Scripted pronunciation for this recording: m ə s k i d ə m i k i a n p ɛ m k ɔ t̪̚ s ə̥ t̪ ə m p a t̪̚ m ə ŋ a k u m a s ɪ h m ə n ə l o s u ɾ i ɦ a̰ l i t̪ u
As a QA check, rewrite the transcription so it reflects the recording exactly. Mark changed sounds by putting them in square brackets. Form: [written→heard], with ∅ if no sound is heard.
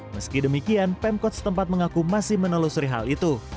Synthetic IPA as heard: m ə s k i d ə m i k i a n p ɛ m k ɔ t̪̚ s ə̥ t̪ ə m p a t̪̚ m ə ŋ a k u m a s ɪ h m ə n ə l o s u ɾ i ɦ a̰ l i t̪ u

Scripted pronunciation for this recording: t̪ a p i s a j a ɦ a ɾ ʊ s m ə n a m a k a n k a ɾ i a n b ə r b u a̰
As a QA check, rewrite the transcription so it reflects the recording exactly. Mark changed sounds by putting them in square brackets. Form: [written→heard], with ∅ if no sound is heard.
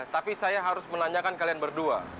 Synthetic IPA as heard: t̪ a p i s a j a ɦ a ɾ ʊ s m ə n a [m→ɲ] a k a n k a [ɾ→l] i a n b ə r [b→d] u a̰

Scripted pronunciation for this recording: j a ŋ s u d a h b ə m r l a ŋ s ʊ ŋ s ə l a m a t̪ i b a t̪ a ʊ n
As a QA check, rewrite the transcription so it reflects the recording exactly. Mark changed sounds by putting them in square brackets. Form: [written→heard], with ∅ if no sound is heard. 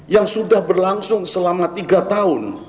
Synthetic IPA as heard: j a ŋ s u d a h b ə [m→∅] r l a ŋ s ʊ ŋ s ə l a m a t̪ i [b→ɡ] a t̪ a ʊ n

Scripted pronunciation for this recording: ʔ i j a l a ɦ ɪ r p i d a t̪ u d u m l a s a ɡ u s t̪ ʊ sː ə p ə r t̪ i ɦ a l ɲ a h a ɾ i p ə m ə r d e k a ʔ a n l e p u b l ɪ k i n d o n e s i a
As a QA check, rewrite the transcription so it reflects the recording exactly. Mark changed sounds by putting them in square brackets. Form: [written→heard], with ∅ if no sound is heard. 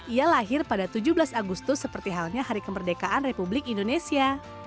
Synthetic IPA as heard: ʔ i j a l a ɦ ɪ r p [i→a] d a t̪ u [d→d͡ʒ] u [m→b] l a s a ɡ u s t̪ ʊ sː ə p ə r t̪ i ɦ a l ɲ a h a ɾ i [p→k] ə m ə r d e k a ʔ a n [l→r] e p u b l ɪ k i n d o n e s i a

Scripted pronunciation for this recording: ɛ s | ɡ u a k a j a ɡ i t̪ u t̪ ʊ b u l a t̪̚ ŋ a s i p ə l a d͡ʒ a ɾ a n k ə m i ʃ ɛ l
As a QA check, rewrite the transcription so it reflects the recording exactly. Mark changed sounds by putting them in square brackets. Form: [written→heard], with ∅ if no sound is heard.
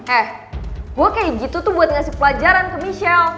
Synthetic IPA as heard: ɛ [s→h] | ɡ u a k a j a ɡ i t̪ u t̪ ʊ b u [l→∅] a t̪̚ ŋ a s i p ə l a d͡ʒ a ɾ a n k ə m i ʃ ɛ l

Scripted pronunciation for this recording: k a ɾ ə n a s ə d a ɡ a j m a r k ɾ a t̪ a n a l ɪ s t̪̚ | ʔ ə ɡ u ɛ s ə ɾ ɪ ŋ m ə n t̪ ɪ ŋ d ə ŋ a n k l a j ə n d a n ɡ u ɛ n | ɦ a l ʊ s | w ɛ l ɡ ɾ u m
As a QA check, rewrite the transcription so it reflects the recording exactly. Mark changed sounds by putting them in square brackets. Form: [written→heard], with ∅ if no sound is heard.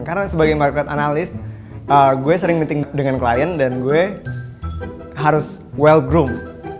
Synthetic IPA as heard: k a ɾ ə n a s ə [d→b] a ɡ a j m a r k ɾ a t̪ a n a l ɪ s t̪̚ | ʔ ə ɡ u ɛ s ə ɾ ɪ ŋ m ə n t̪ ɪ ŋ d ə ŋ a n k l a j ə n d a n ɡ u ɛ [n→∅] | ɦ a [l→ɾ] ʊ s | w ɛ l ɡ ɾ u m

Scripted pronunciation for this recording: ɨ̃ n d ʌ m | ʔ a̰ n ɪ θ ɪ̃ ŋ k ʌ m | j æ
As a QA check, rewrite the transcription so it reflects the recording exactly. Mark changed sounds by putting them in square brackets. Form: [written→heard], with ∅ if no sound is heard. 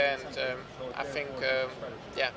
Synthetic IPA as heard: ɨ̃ n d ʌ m | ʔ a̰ [n→∅] ɪ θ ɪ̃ ŋ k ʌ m | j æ

